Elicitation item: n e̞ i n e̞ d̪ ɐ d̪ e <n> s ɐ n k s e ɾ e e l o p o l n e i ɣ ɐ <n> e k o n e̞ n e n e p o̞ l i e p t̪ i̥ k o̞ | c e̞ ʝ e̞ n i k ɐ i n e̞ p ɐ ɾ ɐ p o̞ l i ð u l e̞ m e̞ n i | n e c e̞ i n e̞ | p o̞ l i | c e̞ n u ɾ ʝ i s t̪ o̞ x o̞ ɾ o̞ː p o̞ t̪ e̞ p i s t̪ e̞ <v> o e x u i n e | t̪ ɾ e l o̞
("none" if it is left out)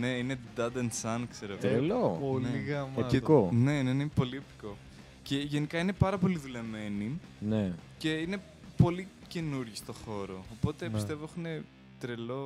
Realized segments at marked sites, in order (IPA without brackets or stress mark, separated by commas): n, m, v